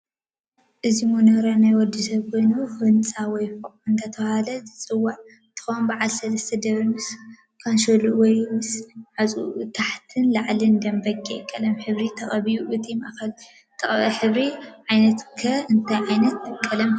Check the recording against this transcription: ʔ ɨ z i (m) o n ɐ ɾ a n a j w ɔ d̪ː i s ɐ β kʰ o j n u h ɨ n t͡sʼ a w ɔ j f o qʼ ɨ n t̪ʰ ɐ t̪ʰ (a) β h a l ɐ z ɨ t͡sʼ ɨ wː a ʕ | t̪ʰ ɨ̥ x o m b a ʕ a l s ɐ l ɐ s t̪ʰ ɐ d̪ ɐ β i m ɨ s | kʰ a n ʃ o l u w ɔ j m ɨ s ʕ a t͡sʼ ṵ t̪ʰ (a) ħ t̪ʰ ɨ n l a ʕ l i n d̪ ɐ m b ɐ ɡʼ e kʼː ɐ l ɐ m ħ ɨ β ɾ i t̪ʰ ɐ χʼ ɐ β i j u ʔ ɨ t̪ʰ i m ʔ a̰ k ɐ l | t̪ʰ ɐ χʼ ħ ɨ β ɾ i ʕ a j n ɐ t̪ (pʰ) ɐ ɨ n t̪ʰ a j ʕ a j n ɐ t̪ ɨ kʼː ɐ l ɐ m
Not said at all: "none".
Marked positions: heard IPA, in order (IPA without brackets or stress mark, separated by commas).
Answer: m, ɐ, a, kʰ